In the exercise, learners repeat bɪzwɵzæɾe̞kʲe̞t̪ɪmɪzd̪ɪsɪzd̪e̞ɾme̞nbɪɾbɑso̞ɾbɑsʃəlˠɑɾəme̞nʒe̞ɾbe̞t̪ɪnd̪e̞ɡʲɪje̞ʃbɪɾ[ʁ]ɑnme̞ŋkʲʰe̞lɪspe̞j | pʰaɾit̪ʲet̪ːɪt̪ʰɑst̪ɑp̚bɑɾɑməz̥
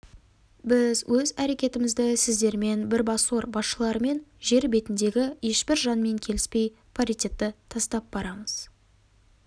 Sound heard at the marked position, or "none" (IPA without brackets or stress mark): ʒ